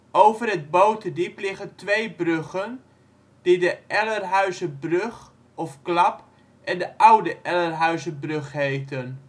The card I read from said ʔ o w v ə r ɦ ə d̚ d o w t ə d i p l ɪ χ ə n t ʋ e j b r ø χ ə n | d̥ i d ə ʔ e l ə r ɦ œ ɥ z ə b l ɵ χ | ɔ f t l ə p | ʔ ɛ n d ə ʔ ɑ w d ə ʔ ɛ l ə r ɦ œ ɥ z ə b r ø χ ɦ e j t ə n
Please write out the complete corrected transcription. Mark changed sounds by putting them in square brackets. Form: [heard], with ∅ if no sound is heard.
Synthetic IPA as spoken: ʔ o w v ə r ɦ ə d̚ [b] o w t ə d i p l ɪ χ ə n t ʋ e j b r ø χ ə n | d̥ i d ə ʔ [ɛ] l ə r ɦ œ ɥ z ə b [r] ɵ χ | ɔ f [k] l [ɑ] p | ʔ ɛ n d ə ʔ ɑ w d ə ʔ ɛ l ə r ɦ œ ɥ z ə b r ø χ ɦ e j t ə n